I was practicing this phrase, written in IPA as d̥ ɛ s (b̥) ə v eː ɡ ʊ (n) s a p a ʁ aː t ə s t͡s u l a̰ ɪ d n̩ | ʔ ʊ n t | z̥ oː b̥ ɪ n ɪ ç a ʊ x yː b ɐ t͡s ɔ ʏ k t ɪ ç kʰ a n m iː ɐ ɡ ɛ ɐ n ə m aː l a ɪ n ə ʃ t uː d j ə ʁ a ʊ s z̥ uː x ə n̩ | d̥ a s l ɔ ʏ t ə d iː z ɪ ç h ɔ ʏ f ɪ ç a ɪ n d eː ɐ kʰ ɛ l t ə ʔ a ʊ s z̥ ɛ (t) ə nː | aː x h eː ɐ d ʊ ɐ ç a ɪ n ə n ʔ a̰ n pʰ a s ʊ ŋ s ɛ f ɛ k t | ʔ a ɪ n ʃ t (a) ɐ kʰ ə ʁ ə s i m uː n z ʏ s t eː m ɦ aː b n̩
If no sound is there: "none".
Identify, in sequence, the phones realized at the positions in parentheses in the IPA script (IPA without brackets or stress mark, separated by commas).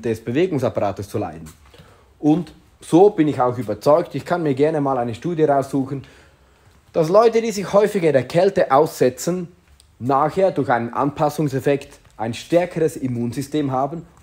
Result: b̥, ŋ, t͡s, ɛ